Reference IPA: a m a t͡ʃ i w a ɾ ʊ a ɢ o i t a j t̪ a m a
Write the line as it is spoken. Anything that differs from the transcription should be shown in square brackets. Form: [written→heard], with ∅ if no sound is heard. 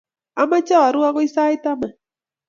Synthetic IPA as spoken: a m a t͡ʃ [i→a] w a ɾ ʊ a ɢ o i [t→s] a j t̪ a m a